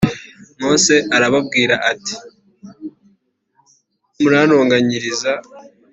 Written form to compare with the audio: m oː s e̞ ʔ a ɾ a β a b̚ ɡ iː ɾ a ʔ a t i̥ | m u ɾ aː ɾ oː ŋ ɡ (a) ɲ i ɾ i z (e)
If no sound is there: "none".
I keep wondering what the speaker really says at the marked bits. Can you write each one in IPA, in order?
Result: a, a

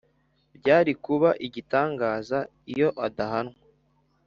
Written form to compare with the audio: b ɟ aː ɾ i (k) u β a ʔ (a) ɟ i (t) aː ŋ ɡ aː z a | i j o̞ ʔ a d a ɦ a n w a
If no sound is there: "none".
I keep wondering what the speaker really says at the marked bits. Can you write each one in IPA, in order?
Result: k, i, t

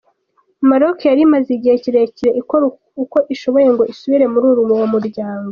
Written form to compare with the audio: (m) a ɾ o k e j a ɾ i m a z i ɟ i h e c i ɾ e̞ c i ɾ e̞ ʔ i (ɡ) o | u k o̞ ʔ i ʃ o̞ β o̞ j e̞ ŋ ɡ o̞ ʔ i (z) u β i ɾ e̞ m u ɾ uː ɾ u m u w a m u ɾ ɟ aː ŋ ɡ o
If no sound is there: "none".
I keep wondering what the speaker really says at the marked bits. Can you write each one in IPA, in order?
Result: m, k, s

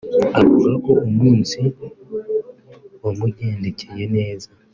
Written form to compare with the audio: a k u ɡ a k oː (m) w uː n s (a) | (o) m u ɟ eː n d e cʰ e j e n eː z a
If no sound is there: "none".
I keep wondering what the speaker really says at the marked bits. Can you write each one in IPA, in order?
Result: m, i, o

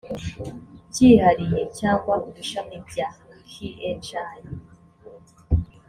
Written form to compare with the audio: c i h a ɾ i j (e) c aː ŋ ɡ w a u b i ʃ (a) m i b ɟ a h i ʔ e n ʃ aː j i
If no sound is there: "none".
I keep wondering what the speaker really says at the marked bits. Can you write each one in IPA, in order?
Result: e, a

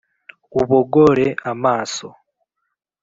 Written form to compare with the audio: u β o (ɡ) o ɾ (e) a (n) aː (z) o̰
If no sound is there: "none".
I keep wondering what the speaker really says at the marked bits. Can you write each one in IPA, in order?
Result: ɡ, e, m, s

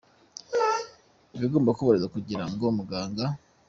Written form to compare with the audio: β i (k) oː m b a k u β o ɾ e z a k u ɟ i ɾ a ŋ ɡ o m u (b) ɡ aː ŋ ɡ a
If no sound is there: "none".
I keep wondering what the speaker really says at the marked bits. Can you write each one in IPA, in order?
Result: ɡ, none

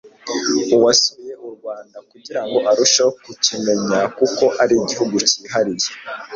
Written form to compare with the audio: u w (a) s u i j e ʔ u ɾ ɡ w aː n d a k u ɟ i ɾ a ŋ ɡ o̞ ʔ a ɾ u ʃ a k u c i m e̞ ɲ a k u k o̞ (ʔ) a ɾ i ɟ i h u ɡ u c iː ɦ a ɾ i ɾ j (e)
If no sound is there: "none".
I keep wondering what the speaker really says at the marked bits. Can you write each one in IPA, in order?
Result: a, ʔ, e

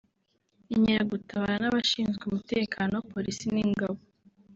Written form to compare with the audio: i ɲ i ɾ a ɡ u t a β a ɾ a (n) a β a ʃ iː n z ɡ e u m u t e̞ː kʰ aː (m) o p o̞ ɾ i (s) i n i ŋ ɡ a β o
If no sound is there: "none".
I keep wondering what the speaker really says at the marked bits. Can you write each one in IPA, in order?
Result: n, n, s

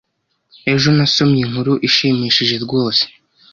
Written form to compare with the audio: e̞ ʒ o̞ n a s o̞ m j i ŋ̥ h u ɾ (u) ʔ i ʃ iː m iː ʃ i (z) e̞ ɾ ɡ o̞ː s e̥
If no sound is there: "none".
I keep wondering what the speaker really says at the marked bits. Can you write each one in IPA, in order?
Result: u, ʒ

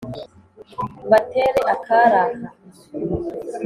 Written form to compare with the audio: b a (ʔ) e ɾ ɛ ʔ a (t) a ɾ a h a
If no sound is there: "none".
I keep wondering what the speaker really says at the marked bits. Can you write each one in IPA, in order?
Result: t, k

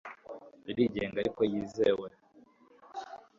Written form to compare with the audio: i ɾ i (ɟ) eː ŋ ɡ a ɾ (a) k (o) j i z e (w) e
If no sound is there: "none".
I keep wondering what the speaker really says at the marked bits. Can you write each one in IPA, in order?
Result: ɟ, i, o, w

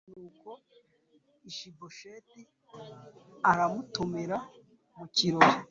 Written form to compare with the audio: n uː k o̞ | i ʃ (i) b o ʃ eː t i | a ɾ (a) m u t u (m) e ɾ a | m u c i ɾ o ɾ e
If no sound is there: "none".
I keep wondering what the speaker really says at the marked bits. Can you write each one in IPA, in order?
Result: i, a, m

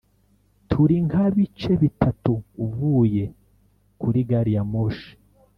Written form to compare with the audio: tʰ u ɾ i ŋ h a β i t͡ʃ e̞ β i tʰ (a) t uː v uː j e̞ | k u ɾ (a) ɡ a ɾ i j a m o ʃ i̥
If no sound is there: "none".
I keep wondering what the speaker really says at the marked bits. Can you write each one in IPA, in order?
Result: a, i

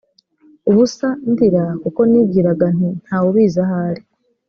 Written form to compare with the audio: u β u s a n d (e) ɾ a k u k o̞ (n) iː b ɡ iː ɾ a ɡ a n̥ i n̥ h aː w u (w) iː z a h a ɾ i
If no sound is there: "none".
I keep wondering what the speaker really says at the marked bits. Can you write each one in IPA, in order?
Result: i, n, β

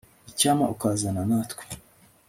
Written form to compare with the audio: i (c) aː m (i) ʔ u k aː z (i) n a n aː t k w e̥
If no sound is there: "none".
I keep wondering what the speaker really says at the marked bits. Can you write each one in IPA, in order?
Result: c, a, a

